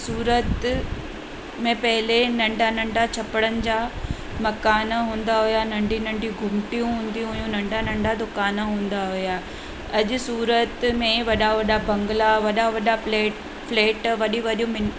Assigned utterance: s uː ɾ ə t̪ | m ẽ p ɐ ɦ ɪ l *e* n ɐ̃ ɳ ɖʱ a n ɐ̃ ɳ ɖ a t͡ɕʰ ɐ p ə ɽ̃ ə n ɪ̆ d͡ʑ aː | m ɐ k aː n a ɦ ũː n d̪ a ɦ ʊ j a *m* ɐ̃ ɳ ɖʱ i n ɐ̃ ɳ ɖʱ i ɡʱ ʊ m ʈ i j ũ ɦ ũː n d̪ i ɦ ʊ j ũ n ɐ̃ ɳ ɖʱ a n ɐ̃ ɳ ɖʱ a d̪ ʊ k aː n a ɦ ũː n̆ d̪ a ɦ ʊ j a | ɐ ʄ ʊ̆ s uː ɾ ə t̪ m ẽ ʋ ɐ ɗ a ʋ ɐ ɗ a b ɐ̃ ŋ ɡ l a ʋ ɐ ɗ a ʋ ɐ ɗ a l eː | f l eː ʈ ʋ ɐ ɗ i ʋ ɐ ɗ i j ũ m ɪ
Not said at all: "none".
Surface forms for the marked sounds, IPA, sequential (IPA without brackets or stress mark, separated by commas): e, n